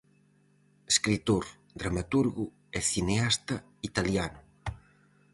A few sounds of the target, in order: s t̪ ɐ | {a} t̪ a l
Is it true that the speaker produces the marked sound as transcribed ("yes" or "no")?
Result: no